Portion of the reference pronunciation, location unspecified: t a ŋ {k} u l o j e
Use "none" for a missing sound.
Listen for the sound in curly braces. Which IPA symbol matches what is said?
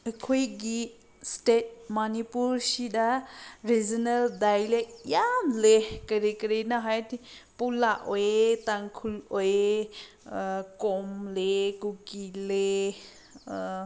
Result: kʰ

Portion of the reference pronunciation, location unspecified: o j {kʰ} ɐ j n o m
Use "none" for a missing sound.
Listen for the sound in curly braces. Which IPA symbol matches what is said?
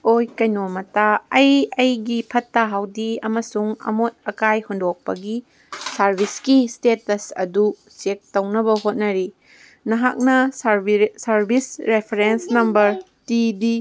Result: k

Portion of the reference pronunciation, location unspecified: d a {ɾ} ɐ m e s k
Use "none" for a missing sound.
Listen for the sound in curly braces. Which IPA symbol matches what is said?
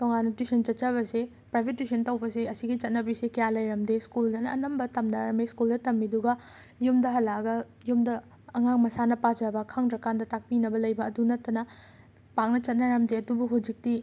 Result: ɾ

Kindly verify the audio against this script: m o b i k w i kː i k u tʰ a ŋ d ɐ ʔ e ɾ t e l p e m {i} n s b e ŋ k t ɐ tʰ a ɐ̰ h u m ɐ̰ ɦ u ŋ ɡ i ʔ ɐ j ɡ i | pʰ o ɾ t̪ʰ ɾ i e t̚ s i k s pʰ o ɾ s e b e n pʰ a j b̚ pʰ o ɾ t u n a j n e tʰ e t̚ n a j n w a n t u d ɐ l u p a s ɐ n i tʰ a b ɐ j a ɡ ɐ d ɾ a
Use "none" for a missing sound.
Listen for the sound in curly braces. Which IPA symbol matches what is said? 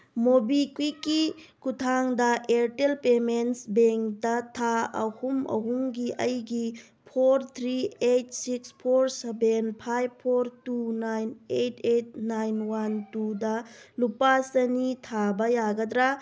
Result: e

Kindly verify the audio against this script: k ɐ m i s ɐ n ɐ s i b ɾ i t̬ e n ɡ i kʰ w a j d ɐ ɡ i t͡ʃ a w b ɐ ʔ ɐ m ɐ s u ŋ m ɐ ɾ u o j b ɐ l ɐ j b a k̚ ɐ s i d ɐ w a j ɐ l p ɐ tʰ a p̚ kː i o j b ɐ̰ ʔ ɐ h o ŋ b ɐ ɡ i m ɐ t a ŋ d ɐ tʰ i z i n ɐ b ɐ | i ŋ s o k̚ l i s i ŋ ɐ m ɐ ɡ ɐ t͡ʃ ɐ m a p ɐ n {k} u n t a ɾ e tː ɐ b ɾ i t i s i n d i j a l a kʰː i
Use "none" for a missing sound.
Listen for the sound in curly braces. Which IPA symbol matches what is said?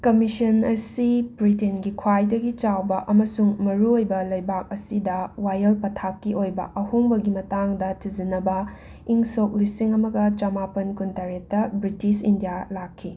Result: k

